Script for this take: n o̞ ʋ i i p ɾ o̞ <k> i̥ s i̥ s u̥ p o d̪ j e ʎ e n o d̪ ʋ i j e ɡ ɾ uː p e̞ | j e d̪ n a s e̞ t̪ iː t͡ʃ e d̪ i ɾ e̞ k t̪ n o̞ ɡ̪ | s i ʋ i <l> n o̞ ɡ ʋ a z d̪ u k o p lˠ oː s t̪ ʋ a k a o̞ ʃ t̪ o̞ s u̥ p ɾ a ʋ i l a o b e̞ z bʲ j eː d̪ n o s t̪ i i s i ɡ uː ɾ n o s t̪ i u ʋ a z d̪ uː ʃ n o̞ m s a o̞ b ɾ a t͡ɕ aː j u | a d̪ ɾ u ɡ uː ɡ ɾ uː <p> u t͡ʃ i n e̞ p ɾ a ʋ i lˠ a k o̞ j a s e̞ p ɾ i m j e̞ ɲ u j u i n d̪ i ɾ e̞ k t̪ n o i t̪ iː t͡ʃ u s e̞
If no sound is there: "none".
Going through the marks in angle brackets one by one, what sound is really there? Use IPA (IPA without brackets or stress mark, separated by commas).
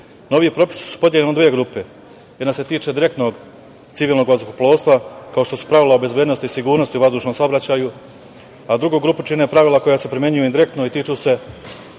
p, l, p